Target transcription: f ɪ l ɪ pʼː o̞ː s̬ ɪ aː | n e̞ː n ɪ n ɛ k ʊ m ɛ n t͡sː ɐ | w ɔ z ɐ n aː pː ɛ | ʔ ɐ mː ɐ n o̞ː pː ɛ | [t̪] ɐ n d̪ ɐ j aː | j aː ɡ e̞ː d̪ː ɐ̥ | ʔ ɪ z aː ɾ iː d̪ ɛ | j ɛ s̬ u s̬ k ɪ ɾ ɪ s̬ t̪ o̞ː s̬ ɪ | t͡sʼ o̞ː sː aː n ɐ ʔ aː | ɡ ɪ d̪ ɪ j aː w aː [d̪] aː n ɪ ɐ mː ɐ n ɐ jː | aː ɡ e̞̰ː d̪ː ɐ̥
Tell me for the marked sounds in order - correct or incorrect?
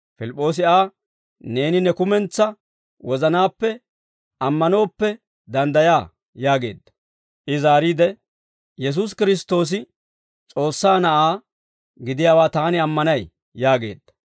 incorrect, incorrect

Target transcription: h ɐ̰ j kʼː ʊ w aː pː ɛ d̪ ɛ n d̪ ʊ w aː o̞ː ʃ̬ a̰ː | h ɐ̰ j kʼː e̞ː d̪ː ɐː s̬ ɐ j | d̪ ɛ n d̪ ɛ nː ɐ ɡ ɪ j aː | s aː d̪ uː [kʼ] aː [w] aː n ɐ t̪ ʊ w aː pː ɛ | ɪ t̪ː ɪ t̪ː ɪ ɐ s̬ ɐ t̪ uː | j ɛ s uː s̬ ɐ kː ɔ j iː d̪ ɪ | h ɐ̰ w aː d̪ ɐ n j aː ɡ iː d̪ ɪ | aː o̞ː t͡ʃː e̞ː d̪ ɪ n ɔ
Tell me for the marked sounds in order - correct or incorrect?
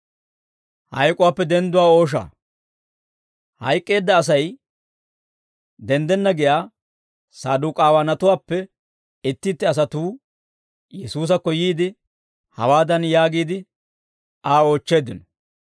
correct, correct

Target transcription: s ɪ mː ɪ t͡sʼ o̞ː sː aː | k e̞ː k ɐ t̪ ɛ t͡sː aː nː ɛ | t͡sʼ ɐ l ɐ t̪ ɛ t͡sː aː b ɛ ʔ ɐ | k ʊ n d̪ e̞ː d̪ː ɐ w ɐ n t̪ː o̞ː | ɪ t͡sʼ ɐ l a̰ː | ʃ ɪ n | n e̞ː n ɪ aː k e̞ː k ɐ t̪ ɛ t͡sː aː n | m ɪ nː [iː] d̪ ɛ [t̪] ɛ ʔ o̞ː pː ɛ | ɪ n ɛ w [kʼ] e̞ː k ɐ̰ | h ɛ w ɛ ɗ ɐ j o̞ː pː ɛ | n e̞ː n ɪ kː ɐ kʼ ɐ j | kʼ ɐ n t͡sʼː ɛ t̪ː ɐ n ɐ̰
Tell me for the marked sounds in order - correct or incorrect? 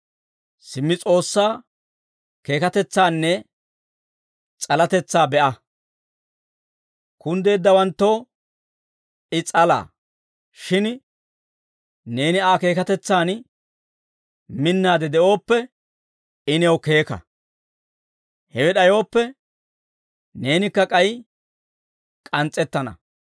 incorrect, incorrect, incorrect

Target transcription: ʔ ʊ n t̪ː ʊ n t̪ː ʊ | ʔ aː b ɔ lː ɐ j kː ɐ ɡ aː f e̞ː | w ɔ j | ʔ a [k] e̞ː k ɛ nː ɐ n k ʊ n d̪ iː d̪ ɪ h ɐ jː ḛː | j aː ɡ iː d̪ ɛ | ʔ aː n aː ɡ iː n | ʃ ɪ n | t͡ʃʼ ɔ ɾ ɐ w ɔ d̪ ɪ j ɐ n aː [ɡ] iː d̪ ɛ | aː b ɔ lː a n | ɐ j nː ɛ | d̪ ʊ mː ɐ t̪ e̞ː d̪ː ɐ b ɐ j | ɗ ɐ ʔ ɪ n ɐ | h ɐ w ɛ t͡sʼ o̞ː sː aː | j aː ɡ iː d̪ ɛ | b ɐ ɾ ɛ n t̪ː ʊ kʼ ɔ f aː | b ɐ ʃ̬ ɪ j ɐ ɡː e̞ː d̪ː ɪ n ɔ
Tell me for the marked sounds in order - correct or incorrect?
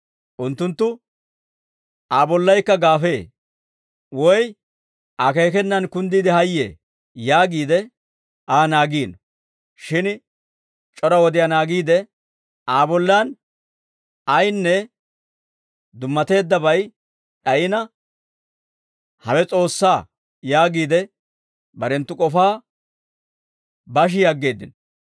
correct, correct

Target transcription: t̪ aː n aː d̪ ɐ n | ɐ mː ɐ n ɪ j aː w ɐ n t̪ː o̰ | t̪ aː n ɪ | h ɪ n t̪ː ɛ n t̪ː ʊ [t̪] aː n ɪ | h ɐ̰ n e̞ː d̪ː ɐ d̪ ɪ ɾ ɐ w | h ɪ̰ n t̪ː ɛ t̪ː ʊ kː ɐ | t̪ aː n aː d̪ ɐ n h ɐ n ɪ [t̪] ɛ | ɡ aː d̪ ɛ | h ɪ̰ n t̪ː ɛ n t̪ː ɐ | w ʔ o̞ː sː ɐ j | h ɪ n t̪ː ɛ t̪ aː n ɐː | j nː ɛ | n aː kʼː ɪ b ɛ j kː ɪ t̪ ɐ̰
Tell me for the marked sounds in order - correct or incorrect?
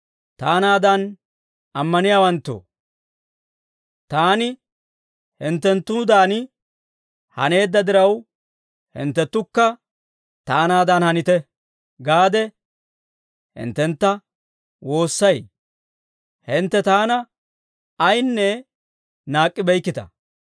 incorrect, correct

